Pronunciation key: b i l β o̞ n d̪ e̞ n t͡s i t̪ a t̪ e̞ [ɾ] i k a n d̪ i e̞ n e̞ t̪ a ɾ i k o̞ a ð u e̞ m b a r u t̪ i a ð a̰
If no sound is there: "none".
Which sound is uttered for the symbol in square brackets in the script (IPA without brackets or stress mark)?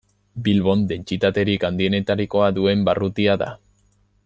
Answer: ɾ